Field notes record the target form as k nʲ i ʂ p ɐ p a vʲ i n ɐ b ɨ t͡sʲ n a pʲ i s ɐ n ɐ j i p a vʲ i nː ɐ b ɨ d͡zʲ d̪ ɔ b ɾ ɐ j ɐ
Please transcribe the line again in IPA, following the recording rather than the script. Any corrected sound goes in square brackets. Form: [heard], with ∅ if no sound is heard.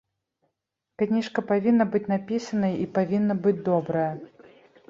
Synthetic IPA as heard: k nʲ i ʂ [k] ɐ p a vʲ i [nː] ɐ b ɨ t͡sʲ n a pʲ i s ɐ n ɐ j i p a vʲ i nː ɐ b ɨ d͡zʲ d̪ ɔ b ɾ ɐ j ɐ

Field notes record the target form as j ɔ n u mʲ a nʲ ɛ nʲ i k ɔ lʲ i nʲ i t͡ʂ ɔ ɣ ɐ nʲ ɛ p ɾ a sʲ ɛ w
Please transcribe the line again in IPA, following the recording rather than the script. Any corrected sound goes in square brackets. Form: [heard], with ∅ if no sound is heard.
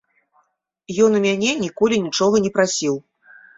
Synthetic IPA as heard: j ɔ n u mʲ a nʲ ɛ nʲ i k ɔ lʲ i nʲ i t͡ʂ ɔ ɣ ɐ nʲ ɛ p ɾ a sʲ [i] w

